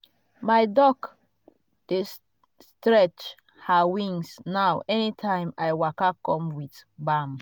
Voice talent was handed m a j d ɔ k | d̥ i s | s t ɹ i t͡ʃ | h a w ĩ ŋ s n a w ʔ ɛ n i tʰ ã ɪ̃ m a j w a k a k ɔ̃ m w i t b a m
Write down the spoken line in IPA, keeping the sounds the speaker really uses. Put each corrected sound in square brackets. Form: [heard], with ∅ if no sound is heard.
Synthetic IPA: m a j d ɔ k | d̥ [e] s | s t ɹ [ɛ] t͡ʃ | h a w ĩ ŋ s n a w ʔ ɛ n i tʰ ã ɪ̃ m a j w a k a k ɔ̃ m w i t b a m